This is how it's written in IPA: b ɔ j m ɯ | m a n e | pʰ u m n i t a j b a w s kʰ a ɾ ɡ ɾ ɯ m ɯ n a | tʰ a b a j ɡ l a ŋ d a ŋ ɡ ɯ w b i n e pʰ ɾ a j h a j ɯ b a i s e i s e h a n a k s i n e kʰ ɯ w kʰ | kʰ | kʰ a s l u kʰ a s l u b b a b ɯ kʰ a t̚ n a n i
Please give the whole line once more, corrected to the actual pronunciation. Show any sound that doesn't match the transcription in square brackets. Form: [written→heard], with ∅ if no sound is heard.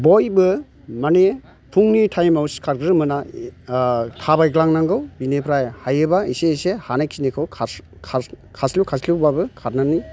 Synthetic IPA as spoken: b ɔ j [m→b] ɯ | m a n e | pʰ u [m→ŋ] n i [t→tʰ] a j [b→m] a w s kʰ a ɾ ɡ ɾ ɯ m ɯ n a | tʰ a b a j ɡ l a ŋ [d→n] a ŋ ɡ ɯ w b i n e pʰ ɾ a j h a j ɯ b a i s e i s e h a n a k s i n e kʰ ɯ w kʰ | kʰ | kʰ a s l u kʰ a s l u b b a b ɯ kʰ a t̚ n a n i

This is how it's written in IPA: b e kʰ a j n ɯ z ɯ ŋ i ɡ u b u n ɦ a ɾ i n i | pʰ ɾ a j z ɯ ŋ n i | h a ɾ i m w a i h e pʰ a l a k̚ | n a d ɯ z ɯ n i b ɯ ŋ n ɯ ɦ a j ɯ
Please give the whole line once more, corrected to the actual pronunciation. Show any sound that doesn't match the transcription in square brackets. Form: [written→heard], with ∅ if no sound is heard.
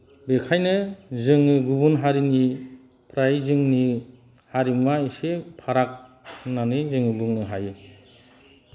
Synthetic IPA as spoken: b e kʰ a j n ɯ z ɯ ŋ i ɡ u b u n ɦ a ɾ i n i | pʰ ɾ a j z ɯ ŋ n i | h a ɾ i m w a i [h→s] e pʰ a [l→ɾ] a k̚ | n a [d→n] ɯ z ɯ [n→ŋ] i b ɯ ŋ n ɯ ɦ a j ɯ

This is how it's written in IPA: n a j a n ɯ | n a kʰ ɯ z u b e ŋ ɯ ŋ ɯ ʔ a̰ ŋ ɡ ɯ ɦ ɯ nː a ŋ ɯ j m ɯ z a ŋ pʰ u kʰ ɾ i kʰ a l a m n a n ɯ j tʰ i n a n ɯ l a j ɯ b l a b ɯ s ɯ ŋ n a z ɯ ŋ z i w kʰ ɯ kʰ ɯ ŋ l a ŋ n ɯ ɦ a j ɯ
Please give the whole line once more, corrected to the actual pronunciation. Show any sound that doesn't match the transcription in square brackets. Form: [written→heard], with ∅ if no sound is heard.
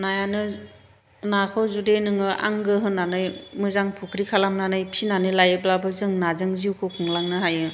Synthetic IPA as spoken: n a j a n ɯ | n a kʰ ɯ z u [b→d] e [ŋ→n] ɯ ŋ ɯ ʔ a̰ ŋ ɡ ɯ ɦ ɯ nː a [ŋ→n] ɯ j m ɯ z a ŋ pʰ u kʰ ɾ i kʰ a l a m n a n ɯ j [tʰ→pʰ] i n a n ɯ l a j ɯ b l a b ɯ [s→z] ɯ ŋ n a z ɯ ŋ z i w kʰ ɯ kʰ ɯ ŋ l a ŋ n ɯ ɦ a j ɯ

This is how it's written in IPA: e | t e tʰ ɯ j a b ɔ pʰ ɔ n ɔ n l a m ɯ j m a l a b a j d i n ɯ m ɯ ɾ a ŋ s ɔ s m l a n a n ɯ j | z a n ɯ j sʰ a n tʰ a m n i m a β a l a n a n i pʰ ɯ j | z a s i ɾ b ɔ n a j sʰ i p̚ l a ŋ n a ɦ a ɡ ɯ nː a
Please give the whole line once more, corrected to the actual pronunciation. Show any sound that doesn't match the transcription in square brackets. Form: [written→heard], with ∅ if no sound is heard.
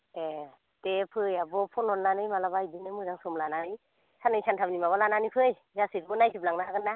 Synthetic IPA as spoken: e | t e [tʰ→pʰ] ɯ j a b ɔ pʰ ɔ n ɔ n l a [m→n] ɯ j m a l a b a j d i n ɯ m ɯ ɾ a ŋ s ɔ [s→∅] m l a n a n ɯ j | [z→s] a n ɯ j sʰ a n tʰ a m n i m a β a l a n a n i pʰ ɯ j | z a s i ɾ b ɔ n a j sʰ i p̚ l a ŋ n a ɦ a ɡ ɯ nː a

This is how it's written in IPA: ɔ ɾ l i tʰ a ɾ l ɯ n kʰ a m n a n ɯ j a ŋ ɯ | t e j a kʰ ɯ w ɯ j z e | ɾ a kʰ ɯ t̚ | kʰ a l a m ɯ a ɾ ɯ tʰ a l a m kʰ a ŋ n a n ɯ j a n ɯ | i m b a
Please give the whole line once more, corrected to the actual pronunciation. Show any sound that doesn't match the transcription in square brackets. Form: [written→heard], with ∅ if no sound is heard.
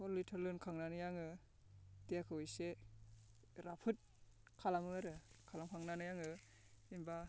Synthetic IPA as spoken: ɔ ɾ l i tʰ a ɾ l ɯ n kʰ a [m→ŋ] n a n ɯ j a ŋ ɯ | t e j a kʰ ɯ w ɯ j [z→s] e | ɾ a [kʰ→pʰ] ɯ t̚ | kʰ a l a m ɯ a ɾ ɯ [tʰ→kʰ] a l a m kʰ a ŋ n a n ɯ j a [n→ŋ] ɯ | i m b a

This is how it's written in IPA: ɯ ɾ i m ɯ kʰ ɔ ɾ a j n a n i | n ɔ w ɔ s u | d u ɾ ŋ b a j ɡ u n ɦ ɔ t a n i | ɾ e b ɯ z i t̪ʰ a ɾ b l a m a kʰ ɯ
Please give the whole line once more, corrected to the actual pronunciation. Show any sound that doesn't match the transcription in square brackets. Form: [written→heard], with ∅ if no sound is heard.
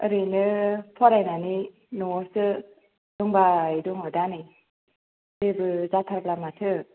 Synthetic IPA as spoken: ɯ ɾ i [m→n] ɯ [kʰ→pʰ] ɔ ɾ a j n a n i | n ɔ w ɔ s [u→ɯ] | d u [ɾ→∅] ŋ b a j [ɡ→d] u [n→ŋ] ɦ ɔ [t→d] a n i | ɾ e b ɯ z [i→a] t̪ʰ a ɾ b l a m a [kʰ→tʰ] ɯ

